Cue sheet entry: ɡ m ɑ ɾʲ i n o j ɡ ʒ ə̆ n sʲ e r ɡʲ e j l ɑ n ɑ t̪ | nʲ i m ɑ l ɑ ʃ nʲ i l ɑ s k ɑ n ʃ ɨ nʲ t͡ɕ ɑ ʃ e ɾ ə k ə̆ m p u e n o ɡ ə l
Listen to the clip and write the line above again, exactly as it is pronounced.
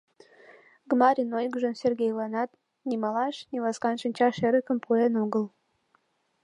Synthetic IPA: ɡ m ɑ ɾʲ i n o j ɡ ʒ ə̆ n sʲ e r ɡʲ e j l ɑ n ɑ t̪ | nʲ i m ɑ l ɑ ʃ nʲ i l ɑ s k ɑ n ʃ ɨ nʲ t͡ɕ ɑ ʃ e ɾ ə k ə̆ m p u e n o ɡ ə l